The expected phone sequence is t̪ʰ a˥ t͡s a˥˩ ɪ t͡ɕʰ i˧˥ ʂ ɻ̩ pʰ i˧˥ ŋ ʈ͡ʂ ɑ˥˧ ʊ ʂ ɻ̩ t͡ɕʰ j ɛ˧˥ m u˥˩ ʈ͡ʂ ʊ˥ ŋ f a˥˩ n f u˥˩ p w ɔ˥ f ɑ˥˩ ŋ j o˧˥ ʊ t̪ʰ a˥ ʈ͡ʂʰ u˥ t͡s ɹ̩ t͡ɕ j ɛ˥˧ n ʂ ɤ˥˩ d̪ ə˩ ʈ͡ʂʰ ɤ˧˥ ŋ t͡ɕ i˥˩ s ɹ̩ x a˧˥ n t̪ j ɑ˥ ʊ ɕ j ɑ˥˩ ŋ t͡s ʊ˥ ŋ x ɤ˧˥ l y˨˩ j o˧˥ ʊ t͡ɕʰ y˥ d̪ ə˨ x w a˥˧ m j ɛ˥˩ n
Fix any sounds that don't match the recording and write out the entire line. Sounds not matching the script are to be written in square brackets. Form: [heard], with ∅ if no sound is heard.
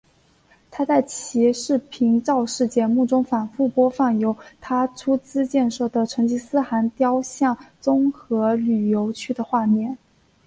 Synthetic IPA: t̪ʰ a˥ t͡s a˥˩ ɪ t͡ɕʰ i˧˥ ʂ ɻ̩ pʰ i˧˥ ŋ ʈ͡ʂ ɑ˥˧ ʊ ʂ ɻ̩ [t͡ɕ] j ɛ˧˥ m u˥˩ ʈ͡ʂ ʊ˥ ŋ f [a˨˩] n f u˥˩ p w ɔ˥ f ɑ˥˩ ŋ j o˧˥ ʊ t̪ʰ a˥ ʈ͡ʂʰ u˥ t͡s ɹ̩ t͡ɕ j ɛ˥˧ n ʂ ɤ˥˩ d̪ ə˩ ʈ͡ʂʰ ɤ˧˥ ŋ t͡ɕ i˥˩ s ɹ̩ x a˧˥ n t̪ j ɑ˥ ʊ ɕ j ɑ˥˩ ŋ t͡s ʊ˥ ŋ x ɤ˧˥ l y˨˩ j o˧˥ ʊ t͡ɕʰ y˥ d̪ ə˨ x w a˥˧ m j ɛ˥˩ n